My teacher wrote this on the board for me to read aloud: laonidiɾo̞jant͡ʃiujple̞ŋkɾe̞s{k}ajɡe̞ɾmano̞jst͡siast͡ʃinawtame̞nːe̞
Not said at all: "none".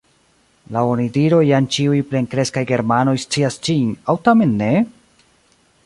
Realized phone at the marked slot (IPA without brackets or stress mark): k